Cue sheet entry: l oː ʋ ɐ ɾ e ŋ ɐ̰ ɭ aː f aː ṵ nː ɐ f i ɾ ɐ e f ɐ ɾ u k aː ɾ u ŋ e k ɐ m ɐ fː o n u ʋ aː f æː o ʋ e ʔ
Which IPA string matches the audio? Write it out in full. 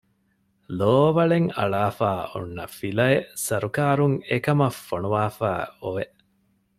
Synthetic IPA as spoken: l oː ʋ ɐ ɭ e ŋ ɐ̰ ɭ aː f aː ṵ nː ɐ f i l ɐ e s ɐ ɾ u k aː ɾ u ŋ e k ɐ m ɐ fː o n u ʋ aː f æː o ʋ e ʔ